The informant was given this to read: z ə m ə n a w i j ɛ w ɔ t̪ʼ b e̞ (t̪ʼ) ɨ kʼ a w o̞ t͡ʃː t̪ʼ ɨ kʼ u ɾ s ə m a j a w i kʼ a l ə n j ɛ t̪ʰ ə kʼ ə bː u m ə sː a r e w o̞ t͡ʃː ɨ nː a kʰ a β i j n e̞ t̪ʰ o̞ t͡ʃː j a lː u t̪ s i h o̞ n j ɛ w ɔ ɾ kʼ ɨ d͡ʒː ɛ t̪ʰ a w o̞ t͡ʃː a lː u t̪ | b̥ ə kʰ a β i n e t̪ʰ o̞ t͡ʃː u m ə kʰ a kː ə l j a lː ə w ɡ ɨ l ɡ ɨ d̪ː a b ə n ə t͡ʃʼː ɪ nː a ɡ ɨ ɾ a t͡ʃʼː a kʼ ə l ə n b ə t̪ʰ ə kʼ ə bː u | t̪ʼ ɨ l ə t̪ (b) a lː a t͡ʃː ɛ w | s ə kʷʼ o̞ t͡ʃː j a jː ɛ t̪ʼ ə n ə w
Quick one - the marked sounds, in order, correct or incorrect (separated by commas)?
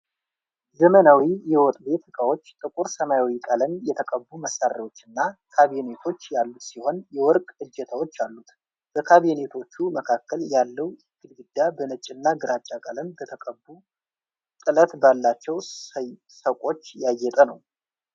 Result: incorrect, correct